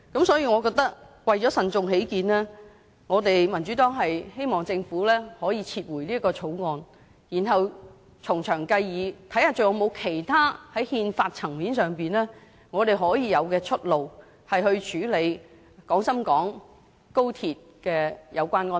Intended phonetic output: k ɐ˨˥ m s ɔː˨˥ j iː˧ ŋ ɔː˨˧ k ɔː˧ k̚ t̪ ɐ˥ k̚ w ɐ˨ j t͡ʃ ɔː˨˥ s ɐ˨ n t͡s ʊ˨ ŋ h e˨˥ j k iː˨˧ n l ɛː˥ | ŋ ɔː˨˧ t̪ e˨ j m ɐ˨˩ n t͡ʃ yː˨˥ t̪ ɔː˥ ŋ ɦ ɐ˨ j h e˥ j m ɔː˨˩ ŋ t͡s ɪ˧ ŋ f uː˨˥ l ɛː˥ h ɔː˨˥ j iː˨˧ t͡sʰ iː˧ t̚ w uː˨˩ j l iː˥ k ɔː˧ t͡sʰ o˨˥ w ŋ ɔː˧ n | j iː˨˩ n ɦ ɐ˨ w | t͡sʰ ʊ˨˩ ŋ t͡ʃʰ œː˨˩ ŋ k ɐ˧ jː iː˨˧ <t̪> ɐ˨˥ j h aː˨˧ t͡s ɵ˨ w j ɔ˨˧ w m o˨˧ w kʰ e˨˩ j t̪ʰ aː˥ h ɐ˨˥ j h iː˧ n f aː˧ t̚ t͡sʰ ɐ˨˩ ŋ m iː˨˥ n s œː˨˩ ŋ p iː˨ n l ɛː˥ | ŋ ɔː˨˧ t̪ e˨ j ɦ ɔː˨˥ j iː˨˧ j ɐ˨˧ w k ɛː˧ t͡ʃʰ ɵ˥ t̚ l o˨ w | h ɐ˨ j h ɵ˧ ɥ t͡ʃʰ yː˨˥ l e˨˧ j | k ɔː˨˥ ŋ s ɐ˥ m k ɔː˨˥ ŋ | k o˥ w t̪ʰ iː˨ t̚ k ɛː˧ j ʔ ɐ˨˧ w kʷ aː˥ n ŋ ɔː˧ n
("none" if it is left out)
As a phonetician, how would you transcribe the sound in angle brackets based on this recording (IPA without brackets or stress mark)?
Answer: t̪ʰ